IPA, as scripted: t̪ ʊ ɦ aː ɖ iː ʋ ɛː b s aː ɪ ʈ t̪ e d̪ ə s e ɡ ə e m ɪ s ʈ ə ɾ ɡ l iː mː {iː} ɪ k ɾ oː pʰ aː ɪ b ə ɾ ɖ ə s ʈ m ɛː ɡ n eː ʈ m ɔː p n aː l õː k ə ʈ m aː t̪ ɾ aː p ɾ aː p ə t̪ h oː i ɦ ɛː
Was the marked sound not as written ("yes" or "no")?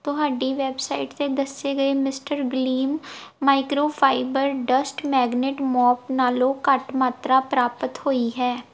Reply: yes